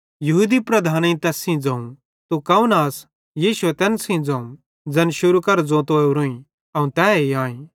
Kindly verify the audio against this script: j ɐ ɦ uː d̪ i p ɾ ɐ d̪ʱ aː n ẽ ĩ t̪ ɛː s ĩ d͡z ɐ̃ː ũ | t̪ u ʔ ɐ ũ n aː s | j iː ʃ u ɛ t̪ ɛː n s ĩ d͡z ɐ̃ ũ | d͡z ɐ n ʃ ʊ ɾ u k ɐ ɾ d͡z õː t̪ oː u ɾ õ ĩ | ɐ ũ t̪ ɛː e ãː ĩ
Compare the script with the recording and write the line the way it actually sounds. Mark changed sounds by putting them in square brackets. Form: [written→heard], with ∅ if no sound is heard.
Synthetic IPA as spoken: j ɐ ɦ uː d̪ i p ɾ ɐ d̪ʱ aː n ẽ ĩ t̪ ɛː s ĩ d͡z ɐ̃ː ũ | t̪ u [ʔ→k] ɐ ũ n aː s | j iː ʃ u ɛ t̪ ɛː n s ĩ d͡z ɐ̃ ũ | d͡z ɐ n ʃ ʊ ɾ u k ɐ ɾ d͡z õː t̪ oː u ɾ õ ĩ | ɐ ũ t̪ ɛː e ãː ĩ

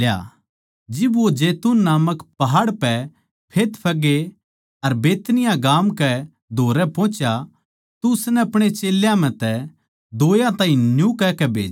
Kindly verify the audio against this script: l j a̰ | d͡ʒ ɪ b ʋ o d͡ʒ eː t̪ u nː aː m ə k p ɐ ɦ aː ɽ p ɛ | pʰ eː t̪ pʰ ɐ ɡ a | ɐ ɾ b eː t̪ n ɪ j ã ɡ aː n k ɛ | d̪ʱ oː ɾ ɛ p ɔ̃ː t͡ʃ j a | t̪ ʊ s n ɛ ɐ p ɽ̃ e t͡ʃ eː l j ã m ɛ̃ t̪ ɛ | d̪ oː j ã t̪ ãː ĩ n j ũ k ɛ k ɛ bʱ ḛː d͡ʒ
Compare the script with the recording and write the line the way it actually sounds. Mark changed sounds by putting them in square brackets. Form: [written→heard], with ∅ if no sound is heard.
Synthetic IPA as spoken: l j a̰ | d͡ʒ ɪ b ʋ o d͡ʒ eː t̪ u nː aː m ə k p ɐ ɦ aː ɽ p ɛ | pʰ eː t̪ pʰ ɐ ɡ [a→e] | ɐ ɾ b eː t̪ n ɪ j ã ɡ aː [n→m] k ɛ | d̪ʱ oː ɾ ɛ p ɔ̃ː t͡ʃ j a | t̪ ʊ s n ɛ ɐ p ɽ̃ e t͡ʃ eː l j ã m ɛ̃ t̪ ɛ | d̪ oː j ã t̪ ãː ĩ n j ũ k ɛ k ɛ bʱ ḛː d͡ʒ

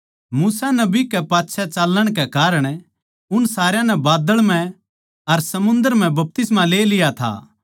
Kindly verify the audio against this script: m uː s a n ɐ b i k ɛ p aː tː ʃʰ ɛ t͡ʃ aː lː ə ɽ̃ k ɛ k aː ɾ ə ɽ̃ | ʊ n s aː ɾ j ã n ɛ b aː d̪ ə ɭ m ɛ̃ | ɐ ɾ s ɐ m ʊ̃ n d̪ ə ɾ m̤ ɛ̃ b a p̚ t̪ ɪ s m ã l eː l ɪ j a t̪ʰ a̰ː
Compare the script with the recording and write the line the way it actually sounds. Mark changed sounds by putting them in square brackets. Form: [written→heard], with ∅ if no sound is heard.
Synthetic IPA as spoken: m uː s a n ɐ b i k ɛ p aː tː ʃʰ ɛ t͡ʃ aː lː ə ɽ̃ k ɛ k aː ɾ ə ɽ̃ | ʊ n s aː ɾ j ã n ɛ b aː d̪ ə ɭ m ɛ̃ | ɐ ɾ s ɐ m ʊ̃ n d̪ ə ɾ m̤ ɛ̃ b [a→ɐ] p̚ t̪ ɪ s m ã l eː l ɪ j a t̪ʰ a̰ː

